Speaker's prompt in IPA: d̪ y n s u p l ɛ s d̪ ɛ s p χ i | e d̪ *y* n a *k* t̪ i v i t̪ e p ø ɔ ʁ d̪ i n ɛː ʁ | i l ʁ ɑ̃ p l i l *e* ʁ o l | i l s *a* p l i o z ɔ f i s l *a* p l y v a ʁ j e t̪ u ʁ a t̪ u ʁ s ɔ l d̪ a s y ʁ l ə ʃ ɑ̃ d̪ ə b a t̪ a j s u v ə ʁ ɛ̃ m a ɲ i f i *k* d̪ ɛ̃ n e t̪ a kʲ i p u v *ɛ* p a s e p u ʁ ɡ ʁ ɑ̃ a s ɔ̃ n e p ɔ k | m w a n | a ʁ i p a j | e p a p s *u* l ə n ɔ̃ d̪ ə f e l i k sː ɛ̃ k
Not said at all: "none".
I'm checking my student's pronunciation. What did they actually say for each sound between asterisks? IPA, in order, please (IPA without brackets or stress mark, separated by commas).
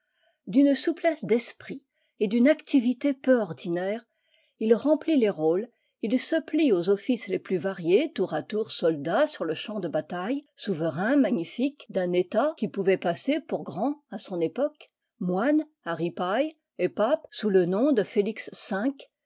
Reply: y, k, e, ə, e, k, ɛ, u